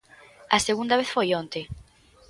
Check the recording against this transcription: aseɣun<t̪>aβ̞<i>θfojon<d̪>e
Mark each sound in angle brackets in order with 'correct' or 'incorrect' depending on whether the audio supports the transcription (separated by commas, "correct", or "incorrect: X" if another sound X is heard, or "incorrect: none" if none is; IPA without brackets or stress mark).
incorrect: d̪, incorrect: e, incorrect: t̪